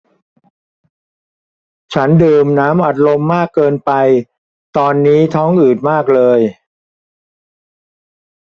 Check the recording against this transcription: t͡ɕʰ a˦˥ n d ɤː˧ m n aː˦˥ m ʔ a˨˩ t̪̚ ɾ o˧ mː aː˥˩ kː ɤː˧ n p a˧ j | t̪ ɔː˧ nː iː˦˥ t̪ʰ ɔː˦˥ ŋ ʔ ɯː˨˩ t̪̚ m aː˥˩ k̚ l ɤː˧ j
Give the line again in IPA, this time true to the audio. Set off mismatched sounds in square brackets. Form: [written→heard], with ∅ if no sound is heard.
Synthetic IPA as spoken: t͡ɕʰ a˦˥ n d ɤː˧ m n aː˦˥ m ʔ a˨˩ t̪̚ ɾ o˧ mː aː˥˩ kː ɤː˧ n p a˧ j | t̪ ɔː˧ nː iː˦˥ t̪ʰ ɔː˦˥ ŋ ʔ ɯː˨˩ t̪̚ m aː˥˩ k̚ l ɤː˧ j